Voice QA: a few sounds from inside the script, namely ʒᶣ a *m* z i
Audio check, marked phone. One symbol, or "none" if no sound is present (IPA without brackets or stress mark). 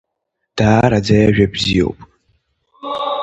b